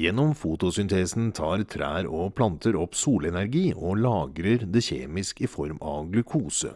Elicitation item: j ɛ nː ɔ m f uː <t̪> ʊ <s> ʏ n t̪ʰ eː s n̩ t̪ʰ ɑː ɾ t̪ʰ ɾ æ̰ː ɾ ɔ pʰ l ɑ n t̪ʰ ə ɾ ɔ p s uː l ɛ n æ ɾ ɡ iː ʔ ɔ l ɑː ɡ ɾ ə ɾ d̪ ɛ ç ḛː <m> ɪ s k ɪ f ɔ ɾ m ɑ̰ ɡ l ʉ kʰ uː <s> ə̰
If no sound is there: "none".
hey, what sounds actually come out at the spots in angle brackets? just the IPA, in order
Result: t̪, s, m, s

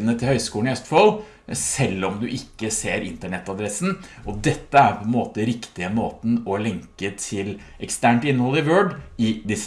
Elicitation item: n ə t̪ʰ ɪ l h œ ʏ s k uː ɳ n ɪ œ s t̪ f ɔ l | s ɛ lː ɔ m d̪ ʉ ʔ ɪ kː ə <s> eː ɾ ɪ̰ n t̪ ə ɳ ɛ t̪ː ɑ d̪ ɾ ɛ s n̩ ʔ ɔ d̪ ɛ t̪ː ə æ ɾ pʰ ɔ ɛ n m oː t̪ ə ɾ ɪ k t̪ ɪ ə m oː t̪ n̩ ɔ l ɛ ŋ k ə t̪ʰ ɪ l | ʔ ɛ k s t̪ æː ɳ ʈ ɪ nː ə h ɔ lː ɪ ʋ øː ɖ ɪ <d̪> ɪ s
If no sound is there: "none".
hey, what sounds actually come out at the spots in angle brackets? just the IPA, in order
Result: s, d̪

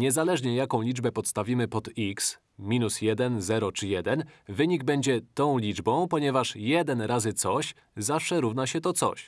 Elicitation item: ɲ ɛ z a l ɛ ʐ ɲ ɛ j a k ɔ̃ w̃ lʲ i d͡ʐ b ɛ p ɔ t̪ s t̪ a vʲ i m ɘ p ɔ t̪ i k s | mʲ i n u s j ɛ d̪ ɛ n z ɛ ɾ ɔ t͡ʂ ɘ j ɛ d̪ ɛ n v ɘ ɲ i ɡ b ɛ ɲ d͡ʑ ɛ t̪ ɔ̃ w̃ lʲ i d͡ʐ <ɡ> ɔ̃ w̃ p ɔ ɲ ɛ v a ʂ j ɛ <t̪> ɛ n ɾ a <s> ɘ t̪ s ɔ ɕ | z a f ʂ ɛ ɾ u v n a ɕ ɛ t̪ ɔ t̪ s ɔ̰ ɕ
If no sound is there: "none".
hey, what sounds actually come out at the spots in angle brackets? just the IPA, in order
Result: b, d̪, z

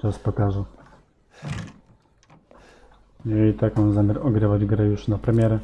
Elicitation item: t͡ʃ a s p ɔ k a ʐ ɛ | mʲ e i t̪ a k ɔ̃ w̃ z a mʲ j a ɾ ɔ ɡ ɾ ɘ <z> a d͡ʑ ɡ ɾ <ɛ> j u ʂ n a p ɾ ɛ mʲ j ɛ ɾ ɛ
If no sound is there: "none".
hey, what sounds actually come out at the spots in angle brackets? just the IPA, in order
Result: v, ɛ

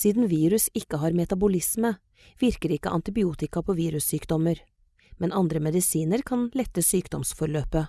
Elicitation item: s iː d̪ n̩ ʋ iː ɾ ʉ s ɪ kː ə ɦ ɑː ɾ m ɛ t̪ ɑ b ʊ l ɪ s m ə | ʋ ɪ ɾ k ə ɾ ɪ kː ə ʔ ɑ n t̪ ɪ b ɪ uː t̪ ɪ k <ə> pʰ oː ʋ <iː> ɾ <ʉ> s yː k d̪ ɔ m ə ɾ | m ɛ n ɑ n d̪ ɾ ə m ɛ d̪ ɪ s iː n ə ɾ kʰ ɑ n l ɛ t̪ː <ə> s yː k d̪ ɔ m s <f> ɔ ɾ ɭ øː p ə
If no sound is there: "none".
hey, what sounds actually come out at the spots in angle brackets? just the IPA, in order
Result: ɑ, iː, ʉ, ə, f

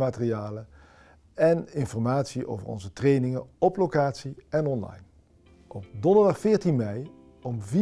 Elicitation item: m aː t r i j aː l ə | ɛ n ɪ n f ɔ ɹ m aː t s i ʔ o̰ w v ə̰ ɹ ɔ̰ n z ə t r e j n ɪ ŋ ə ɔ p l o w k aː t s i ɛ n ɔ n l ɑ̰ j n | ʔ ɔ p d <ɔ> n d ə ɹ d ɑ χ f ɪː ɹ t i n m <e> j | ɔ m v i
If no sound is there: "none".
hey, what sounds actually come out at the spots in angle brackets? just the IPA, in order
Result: ɔ, ɛ

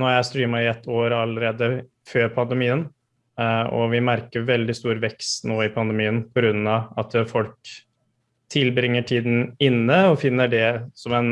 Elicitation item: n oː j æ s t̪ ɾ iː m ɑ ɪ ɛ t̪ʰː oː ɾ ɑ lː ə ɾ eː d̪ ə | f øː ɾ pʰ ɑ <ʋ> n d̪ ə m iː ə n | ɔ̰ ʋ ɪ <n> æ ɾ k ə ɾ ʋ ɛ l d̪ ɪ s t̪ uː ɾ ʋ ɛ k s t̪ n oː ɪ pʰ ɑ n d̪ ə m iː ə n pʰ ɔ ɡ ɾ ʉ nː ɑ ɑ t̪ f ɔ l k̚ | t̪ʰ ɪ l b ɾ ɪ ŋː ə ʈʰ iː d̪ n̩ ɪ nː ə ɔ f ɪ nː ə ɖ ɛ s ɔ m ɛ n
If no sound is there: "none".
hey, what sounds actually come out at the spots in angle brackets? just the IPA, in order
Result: none, m

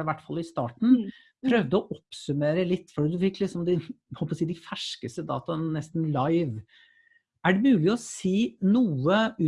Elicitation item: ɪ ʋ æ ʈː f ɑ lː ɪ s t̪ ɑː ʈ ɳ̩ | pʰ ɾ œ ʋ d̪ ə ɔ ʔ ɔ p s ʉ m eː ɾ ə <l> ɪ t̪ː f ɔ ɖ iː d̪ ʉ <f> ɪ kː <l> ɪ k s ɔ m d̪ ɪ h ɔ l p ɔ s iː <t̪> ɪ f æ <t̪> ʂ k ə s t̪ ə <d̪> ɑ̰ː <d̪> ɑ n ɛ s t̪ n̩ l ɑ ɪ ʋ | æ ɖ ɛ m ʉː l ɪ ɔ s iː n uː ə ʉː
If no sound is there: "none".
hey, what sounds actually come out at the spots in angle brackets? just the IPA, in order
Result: l, f, l, d̪, none, d̪, t̪

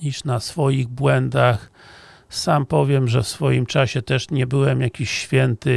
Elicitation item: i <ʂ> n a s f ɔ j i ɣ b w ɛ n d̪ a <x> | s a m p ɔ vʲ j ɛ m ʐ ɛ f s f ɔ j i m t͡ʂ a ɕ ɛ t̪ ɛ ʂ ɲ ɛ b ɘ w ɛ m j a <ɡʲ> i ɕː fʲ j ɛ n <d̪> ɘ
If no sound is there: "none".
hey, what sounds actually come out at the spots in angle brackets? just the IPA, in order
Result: ʂ, x, kʲ, t̪

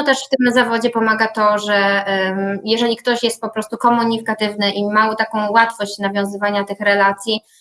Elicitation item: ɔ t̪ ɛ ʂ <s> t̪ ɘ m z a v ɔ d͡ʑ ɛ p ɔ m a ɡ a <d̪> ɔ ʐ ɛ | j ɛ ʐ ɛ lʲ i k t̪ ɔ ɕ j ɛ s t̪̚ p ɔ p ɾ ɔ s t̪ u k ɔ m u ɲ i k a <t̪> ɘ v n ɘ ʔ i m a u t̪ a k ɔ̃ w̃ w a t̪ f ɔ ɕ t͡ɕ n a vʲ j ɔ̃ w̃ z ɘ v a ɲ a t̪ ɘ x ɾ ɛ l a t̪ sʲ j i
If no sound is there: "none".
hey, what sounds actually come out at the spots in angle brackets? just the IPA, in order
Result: f, t̪, t̪

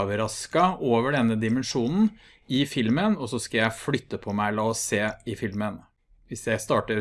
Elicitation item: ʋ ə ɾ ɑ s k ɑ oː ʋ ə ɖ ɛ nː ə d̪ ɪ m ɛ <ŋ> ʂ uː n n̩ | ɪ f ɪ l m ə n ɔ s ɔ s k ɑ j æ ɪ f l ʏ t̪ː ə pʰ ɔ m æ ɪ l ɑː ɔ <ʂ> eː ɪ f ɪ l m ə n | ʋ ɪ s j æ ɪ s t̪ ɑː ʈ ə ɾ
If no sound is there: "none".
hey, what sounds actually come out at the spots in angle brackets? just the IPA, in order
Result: n, s

